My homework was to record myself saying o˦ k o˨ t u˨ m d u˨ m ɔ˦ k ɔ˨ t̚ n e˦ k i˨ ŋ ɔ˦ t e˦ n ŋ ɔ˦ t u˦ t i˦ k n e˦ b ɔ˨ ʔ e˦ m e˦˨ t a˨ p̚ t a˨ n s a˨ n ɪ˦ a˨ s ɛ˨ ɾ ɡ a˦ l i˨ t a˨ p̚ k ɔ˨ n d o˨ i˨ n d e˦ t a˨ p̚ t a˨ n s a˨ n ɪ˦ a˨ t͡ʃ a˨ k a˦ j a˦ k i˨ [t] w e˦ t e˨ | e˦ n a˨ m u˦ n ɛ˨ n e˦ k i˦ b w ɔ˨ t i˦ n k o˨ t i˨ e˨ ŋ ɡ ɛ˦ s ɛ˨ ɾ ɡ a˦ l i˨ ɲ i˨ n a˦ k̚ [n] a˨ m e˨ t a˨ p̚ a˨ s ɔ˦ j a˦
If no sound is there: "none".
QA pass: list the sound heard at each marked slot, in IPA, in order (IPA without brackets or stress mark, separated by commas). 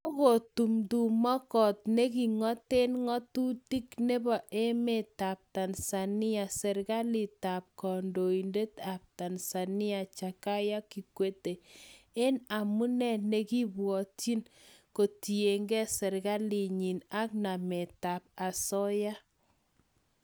k, n